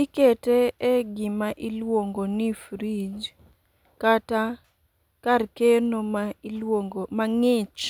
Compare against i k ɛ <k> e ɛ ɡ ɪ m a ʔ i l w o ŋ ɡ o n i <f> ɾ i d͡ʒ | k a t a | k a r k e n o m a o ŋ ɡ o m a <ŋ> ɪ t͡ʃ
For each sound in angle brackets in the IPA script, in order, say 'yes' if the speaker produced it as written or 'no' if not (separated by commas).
no, yes, yes